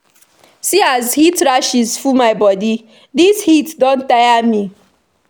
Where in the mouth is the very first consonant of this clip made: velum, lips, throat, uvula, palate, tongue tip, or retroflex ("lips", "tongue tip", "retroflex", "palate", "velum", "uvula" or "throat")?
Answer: tongue tip